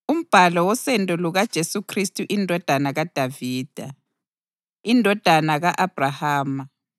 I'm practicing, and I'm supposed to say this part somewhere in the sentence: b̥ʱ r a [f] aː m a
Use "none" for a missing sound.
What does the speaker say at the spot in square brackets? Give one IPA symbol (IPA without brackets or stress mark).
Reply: h